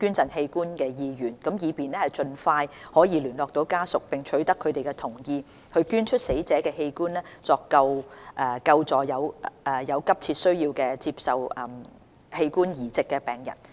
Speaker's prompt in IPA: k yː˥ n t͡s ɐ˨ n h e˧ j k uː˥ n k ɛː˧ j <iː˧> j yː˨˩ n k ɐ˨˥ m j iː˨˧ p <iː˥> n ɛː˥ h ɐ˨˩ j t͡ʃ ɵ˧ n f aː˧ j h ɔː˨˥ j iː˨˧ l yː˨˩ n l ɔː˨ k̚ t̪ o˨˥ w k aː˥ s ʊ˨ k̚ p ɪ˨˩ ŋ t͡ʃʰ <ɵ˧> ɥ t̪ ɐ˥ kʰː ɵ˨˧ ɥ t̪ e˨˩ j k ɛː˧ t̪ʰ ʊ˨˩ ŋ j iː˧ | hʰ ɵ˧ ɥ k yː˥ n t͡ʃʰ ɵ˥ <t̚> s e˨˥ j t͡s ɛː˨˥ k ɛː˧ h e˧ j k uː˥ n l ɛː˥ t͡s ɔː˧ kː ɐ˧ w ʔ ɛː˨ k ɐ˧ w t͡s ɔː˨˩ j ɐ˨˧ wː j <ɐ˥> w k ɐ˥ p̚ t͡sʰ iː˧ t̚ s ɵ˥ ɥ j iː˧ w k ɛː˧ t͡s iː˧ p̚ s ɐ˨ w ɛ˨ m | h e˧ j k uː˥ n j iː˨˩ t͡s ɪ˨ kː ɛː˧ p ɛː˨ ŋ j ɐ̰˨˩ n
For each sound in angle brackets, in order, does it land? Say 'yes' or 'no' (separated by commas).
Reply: yes, no, no, yes, no